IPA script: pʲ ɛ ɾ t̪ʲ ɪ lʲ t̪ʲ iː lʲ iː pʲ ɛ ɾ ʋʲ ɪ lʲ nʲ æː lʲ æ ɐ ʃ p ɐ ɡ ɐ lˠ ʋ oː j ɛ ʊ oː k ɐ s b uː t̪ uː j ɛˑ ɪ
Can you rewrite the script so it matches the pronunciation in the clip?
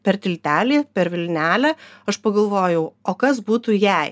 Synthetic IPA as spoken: pʲ ɛ ɾ t̪ʲ ɪ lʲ t̪ʲ æː lʲ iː pʲ ɛ ɾ ʋʲ ɪ lʲ nʲ æː lʲ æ ɐ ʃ p ɐ ɡ ɐ lˠ ʋ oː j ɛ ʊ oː k ɐ s b uː t̪ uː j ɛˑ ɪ